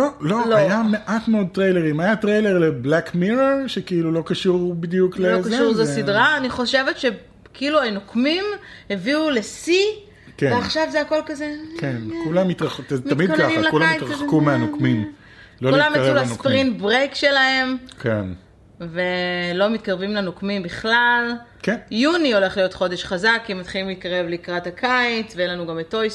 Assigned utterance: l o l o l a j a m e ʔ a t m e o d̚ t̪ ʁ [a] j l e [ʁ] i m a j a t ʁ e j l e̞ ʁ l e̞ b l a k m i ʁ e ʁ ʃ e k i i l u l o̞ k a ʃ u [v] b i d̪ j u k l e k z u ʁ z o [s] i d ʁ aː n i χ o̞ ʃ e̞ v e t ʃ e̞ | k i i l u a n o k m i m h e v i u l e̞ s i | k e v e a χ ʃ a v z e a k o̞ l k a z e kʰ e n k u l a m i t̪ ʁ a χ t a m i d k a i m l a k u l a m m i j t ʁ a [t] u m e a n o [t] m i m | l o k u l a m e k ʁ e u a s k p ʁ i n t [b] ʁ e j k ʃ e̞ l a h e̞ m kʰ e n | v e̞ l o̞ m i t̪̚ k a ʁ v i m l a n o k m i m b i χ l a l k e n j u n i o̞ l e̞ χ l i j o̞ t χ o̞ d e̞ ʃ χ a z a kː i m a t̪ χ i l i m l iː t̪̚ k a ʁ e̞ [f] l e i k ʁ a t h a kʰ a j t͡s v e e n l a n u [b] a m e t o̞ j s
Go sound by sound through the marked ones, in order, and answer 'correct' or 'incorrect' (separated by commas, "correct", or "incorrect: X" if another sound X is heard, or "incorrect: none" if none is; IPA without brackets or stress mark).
incorrect: e, correct, incorrect: ʁ, correct, incorrect: k, incorrect: k, correct, incorrect: v, incorrect: ɡ